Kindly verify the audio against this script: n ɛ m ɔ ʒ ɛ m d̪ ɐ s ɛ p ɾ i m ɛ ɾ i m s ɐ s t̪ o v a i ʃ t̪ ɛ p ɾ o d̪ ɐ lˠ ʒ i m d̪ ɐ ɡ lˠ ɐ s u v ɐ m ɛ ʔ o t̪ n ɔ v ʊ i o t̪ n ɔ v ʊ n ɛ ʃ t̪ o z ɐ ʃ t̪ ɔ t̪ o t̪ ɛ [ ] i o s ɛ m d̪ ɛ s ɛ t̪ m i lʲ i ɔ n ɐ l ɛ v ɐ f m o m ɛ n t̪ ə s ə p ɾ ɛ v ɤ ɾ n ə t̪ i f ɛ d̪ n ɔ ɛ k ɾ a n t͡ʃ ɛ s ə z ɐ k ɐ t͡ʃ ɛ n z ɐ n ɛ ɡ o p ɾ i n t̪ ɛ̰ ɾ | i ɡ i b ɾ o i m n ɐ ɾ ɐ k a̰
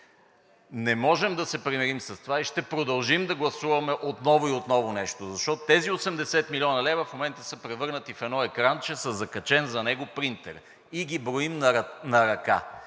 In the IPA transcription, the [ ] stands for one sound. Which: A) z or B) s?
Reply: A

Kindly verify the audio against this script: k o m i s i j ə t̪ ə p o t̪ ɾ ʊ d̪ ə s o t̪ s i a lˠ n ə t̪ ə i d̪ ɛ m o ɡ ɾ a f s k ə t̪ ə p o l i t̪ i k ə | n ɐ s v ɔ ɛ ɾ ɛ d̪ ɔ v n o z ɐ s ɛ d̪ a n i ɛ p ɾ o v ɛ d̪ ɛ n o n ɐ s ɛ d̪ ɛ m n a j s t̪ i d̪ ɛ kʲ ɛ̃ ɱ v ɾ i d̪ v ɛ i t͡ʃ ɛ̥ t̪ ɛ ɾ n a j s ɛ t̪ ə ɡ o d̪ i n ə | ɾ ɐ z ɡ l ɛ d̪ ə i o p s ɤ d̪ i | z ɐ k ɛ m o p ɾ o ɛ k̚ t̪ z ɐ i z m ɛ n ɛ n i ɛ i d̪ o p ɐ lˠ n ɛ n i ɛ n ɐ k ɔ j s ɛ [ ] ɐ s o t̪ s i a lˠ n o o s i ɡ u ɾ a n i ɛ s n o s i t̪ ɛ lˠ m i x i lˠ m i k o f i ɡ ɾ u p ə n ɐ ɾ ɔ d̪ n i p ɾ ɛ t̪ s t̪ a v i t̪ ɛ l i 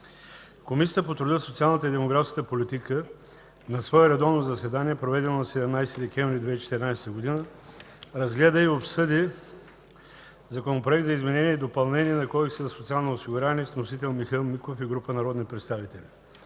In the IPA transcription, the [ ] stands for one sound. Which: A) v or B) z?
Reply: B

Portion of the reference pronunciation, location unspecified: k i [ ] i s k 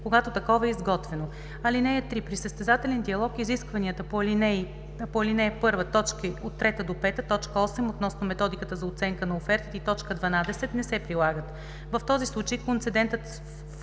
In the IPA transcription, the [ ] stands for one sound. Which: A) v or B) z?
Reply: B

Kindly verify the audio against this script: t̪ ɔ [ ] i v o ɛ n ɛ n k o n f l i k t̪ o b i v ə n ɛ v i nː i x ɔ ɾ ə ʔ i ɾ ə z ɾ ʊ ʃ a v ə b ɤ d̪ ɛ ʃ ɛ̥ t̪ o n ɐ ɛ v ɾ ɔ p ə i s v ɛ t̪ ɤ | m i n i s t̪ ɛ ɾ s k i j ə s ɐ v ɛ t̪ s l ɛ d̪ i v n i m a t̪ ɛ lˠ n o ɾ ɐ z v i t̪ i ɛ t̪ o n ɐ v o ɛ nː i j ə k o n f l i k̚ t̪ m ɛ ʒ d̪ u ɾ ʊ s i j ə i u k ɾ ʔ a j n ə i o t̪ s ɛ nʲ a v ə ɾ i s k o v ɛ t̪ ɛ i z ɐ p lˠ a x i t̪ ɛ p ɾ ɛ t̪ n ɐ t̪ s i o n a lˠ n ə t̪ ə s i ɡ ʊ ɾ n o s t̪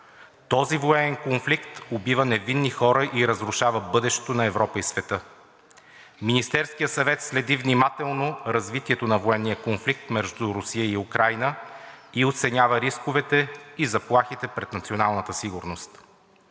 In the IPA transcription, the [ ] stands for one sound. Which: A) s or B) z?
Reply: B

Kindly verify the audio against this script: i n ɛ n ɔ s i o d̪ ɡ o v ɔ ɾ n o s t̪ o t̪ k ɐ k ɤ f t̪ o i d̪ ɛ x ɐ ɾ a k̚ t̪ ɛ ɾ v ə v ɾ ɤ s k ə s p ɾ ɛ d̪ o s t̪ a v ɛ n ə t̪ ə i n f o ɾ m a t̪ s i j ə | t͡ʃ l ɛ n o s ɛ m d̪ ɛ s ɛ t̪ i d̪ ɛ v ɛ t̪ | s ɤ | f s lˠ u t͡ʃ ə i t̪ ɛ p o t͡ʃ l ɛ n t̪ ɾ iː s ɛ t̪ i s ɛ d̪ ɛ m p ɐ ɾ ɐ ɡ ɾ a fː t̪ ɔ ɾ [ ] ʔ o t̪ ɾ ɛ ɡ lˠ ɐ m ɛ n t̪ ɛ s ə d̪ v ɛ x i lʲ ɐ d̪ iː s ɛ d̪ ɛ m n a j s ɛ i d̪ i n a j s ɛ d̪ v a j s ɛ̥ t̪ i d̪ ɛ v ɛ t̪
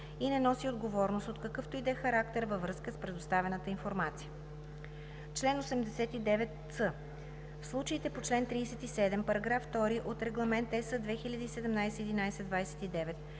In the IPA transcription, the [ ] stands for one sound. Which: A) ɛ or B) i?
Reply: B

